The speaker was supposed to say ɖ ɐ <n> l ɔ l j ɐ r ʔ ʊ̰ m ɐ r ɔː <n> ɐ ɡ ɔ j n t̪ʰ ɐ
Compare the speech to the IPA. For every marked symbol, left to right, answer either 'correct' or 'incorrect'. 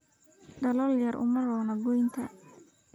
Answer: incorrect: none, correct

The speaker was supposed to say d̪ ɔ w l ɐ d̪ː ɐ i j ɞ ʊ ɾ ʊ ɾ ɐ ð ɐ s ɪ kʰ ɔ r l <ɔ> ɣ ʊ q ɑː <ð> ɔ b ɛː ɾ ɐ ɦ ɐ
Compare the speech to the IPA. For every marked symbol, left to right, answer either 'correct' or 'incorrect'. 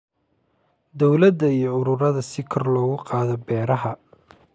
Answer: incorrect: ɔː, correct

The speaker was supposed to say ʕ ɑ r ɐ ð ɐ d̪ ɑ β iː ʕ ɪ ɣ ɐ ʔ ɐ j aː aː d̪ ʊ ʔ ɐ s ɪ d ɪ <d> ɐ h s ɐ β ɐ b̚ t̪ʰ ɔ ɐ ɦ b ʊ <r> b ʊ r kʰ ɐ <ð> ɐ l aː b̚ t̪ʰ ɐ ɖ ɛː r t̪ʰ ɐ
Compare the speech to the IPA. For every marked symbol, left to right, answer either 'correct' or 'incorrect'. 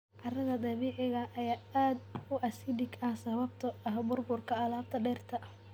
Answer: incorrect: ɡ, correct, incorrect: none

